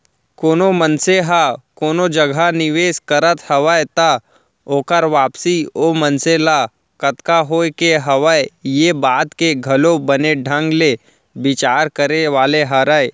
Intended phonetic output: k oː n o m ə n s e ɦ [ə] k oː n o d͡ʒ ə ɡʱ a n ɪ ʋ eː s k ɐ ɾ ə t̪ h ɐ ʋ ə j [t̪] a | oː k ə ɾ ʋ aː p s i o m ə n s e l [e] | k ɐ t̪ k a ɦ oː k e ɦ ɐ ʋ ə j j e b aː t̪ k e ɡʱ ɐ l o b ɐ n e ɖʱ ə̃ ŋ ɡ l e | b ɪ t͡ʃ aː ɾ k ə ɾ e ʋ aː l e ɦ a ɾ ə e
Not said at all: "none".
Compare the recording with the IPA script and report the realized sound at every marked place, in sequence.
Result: a, t̪, a

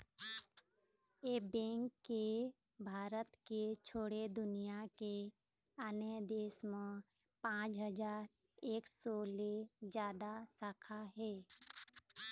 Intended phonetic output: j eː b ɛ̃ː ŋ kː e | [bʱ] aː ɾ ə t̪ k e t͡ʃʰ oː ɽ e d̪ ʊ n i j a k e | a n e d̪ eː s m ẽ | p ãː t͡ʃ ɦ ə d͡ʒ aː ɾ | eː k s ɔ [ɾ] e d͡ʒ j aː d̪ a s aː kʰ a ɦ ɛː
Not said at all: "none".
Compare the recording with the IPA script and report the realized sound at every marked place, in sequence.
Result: bʱ, l

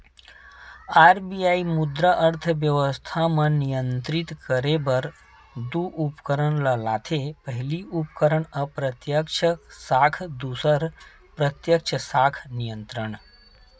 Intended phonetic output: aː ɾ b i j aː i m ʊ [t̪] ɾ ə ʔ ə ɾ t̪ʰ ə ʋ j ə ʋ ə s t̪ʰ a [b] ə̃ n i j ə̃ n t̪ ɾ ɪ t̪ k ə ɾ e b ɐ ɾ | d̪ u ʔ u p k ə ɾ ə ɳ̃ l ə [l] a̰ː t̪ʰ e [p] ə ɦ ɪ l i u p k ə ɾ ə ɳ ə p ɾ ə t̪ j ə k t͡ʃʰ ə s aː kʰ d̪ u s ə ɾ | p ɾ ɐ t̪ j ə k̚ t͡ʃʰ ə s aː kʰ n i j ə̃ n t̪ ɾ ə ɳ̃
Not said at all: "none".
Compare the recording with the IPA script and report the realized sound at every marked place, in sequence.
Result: d̪, m, l, p

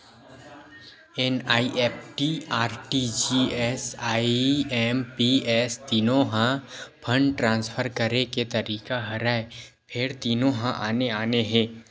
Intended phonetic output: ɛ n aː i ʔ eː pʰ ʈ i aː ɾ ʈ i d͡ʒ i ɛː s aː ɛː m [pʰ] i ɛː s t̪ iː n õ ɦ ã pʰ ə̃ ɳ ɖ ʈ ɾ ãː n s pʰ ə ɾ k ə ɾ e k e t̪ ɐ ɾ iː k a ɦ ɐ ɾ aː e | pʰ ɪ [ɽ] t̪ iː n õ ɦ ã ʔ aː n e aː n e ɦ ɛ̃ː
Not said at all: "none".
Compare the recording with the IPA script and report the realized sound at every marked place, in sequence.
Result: p, ɾ

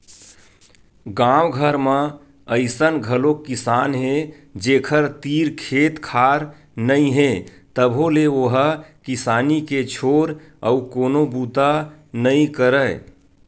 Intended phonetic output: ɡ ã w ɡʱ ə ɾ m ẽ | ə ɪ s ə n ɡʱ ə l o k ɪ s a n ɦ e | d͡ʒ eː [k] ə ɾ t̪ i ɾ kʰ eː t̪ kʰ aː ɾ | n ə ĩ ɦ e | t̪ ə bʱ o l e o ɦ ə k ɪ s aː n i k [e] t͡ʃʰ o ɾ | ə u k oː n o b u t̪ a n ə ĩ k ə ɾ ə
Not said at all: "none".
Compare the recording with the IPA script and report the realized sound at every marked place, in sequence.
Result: kʰ, e

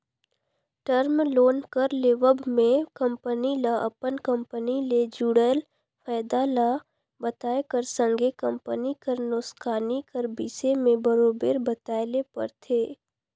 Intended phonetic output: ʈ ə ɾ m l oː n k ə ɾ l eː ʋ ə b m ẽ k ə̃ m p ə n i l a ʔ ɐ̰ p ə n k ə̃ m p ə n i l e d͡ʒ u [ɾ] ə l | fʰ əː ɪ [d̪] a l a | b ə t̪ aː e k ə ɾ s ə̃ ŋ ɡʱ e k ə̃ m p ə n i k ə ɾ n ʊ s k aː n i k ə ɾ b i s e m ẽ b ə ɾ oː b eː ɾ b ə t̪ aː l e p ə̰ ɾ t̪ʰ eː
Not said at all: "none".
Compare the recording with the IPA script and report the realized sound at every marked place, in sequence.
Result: ɽ, d̪

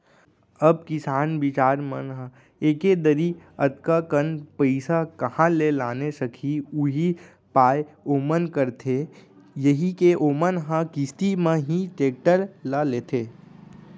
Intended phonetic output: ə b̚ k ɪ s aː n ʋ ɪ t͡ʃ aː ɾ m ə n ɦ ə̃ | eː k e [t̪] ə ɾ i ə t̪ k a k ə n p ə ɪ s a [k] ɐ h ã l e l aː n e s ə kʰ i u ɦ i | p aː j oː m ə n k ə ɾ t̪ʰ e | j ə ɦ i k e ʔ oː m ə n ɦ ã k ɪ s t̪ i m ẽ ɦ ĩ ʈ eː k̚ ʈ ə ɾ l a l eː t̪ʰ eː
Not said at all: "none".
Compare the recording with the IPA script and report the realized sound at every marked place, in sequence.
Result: d̪, k

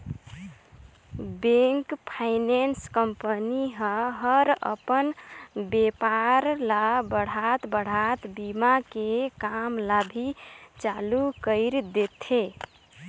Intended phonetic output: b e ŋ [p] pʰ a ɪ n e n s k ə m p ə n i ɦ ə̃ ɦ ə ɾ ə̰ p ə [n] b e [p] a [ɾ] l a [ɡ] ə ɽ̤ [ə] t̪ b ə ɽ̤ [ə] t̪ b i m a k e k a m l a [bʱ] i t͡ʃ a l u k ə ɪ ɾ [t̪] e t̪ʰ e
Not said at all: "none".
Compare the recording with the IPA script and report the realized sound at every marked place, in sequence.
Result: k, n, p, ɾ, b, a, a, bʱ, d̪

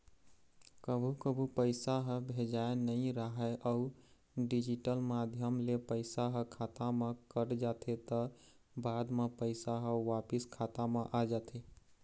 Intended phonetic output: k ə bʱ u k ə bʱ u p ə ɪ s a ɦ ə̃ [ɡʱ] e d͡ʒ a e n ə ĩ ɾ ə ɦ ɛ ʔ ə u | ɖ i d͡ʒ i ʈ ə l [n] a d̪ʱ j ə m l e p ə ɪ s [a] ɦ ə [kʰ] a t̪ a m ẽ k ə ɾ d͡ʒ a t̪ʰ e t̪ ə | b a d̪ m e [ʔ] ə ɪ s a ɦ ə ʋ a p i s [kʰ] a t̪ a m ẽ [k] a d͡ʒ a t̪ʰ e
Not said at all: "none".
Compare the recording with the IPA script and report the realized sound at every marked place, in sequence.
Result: bʱ, m, a, kʰ, p, kʰ, ʔ

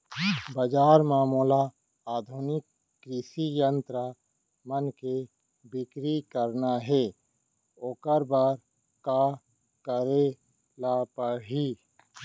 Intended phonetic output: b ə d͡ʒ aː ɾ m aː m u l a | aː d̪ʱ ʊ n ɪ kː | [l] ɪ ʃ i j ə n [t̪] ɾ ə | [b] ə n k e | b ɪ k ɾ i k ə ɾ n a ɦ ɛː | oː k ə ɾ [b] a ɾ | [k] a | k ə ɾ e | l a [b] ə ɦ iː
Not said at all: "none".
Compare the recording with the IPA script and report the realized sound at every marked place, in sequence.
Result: ɾ, t̪, m, b, k, p

